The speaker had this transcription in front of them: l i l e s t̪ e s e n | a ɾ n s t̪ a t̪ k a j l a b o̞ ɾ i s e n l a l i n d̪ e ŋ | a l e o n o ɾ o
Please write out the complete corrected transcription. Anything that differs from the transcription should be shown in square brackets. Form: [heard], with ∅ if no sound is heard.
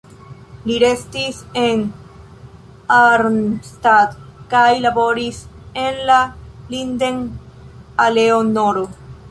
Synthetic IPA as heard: l i [ɾ] e s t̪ [i] s e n | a ɾ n s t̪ a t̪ k a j l a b o̞ ɾ i s e n l a l i n d̪ e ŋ | a l e o n o ɾ o

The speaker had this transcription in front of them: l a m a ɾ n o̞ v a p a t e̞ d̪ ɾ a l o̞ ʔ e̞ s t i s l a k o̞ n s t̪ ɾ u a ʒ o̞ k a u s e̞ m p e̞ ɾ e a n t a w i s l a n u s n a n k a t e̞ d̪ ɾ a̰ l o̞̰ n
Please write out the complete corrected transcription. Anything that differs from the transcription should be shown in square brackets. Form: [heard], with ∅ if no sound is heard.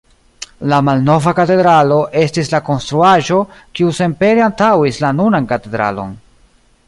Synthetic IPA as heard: l a m a [l] n o̞ v a [k] a t e̞ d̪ ɾ a l o̞ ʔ e̞ s t i s l a k o̞ n s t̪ ɾ u a ʒ o̞ k [i] u s e̞ m p e̞ ɾ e a n t a w i s l a n u [∅] n a n k a t e̞ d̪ ɾ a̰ l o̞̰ n

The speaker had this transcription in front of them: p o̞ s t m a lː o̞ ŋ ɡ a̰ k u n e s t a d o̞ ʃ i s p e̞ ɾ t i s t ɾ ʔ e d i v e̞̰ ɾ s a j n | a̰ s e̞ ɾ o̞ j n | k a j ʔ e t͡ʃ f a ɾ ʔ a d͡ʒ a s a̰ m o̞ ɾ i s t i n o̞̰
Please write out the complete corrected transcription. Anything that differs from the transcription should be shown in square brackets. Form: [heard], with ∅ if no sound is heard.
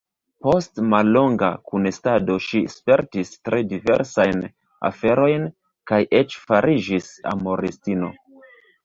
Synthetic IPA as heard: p o̞ s t m a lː o̞ ŋ ɡ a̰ k u n e s t a d o̞ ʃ i s p e̞ ɾ t i s t ɾ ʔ e d i v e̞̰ ɾ s a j n | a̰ [f] e̞ ɾ o̞ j n | k a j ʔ e t͡ʃ f a ɾ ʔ [i] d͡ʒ [i] s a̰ m o̞ ɾ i s t i n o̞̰

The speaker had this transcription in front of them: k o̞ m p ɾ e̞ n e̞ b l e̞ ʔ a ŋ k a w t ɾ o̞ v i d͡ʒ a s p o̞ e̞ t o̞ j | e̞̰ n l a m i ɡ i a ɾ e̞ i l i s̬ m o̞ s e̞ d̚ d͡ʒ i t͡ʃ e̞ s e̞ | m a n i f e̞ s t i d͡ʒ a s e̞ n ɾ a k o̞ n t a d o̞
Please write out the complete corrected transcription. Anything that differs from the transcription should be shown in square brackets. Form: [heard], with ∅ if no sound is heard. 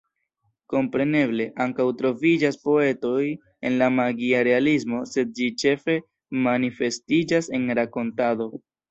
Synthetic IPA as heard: k o̞ m p ɾ e̞ n e̞ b l e̞ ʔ a ŋ k a w t ɾ o̞ v i d͡ʒ a s p o̞ e̞ t o̞ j | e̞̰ n l a m [a] ɡ i a ɾ e̞ [a] l i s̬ m o̞ s e̞ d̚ d͡ʒ i t͡ʃ e̞ [f] e̞ | m a n i f e̞ s t i d͡ʒ a s e̞ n ɾ a k o̞ n t a d o̞

